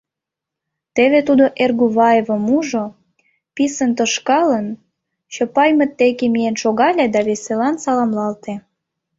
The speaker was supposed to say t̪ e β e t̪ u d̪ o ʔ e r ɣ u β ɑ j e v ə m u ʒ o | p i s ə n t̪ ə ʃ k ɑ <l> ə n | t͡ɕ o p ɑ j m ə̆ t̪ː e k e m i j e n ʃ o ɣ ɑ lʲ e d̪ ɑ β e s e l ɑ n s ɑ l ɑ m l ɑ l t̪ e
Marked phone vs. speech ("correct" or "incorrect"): correct